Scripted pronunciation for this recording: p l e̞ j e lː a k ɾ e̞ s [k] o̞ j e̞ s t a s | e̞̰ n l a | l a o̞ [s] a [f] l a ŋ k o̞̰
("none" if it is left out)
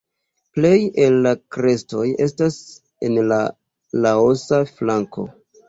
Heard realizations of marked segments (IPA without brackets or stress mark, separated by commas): t, s, f